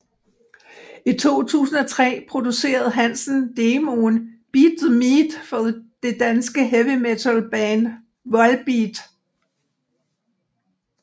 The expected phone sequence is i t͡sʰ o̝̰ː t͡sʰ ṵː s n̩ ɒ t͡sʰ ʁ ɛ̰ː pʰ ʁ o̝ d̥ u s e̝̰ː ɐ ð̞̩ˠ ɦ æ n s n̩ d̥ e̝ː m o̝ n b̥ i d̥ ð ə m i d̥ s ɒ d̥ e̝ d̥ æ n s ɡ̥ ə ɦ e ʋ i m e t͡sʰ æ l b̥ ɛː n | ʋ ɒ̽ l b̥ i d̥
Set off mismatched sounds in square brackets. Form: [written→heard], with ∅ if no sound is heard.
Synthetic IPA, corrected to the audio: i t͡sʰ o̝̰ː t͡sʰ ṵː s n̩ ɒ t͡sʰ ʁ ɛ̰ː pʰ ʁ o̝ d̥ u s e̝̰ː ɐ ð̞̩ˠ ɦ æ n s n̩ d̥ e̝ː m o̝ n b̥ i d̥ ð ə m i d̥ [s→f] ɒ d̥ e̝ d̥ æ n s ɡ̥ ə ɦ e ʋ i m e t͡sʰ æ l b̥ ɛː n | ʋ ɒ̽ l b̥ i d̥